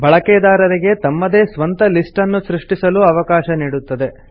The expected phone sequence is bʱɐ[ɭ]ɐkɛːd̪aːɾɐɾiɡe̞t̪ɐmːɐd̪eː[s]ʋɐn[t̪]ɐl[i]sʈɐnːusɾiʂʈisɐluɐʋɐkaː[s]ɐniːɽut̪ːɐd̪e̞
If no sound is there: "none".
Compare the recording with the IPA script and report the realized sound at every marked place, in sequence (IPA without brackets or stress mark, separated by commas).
ɭ, s, t̪, i, ʃ